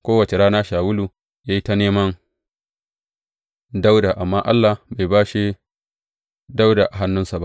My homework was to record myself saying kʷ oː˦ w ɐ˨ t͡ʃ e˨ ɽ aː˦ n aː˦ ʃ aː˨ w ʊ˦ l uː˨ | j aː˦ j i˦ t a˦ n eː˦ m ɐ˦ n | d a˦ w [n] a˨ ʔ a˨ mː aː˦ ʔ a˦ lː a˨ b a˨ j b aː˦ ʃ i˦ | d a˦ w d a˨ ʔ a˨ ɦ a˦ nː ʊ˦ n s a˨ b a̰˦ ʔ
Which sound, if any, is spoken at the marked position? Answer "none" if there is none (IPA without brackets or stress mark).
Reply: d